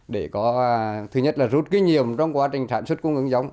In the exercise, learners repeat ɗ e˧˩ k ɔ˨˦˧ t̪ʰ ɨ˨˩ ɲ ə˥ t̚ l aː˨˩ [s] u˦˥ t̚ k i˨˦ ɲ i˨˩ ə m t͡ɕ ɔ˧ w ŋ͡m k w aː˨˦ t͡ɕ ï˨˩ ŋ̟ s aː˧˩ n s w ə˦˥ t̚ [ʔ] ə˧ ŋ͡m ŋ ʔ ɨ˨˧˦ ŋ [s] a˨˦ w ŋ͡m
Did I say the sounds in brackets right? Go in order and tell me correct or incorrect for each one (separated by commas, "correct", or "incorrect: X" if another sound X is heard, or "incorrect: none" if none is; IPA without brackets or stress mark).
incorrect: z, incorrect: k, incorrect: z